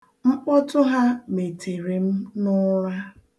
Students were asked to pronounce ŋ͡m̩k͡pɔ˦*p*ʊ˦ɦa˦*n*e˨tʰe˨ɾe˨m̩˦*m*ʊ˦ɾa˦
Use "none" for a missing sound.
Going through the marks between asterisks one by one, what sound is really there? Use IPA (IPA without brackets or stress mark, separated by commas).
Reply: t, m, n